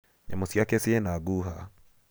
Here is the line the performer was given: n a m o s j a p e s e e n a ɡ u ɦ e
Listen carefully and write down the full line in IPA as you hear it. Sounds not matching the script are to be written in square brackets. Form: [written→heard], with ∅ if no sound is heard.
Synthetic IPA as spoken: [n→ɲ] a m o s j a [p→k] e s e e n a ɡ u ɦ [e→a]